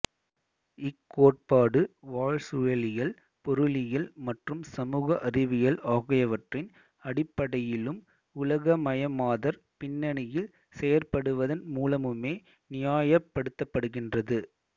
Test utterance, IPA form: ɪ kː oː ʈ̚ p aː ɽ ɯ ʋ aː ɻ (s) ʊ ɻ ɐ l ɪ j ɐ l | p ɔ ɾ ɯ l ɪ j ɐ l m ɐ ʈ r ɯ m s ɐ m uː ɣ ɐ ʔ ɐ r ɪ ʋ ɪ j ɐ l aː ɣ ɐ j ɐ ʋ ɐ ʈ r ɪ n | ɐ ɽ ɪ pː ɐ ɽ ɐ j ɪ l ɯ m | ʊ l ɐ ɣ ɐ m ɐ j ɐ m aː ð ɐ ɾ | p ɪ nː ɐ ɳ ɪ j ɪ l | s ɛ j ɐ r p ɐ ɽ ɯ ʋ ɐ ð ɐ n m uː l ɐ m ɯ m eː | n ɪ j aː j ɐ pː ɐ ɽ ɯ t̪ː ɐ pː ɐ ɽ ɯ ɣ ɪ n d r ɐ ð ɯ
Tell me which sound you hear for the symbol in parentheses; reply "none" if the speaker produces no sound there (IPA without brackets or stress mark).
s